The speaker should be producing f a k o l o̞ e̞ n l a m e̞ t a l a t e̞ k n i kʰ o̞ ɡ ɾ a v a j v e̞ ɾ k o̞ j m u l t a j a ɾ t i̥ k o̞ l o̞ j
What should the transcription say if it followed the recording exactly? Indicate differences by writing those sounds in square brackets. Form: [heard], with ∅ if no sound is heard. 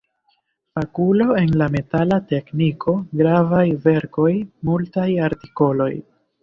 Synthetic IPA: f a k [u] l o̞ e̞ n l a m e̞ t a l a t e̞ k n i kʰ o̞ ɡ ɾ a v a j v e̞ ɾ k o̞ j m u l t a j a ɾ t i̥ k o̞ l o̞ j